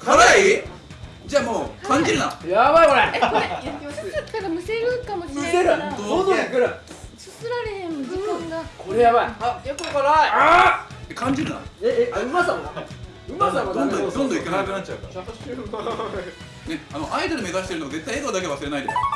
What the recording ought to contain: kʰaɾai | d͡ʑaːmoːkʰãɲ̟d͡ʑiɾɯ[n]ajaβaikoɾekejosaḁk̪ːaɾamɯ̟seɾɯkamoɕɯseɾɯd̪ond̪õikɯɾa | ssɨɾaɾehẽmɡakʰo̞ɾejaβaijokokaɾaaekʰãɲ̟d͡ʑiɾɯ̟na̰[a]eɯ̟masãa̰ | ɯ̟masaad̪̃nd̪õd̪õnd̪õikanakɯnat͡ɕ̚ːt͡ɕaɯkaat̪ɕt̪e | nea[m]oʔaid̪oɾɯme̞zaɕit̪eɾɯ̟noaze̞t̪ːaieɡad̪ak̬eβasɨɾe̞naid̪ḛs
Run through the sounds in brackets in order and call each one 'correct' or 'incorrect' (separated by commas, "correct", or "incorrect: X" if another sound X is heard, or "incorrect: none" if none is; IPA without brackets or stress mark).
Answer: correct, incorrect: e, incorrect: n